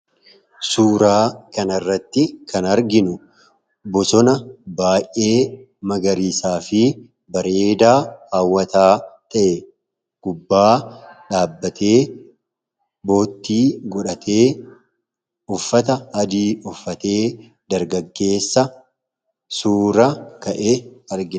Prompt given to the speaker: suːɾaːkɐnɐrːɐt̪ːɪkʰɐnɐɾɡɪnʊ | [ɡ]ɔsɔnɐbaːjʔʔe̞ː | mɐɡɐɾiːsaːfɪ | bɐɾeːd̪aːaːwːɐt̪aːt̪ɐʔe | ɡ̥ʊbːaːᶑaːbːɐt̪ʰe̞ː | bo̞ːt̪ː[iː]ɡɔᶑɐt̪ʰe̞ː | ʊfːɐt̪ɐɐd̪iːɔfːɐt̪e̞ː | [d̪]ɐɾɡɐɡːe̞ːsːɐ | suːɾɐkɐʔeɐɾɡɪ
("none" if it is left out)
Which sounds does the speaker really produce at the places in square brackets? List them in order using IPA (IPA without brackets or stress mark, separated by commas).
b, iː, d̪